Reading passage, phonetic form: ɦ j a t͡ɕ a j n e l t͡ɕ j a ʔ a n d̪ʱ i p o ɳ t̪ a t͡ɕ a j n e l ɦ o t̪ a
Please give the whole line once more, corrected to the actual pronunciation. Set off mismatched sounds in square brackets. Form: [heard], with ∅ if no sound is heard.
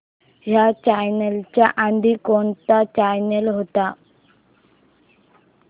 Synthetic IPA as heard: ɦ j a t͡ɕ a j n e l t͡ɕ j a ʔ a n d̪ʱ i [k] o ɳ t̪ a t͡ɕ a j n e l ɦ o t̪ a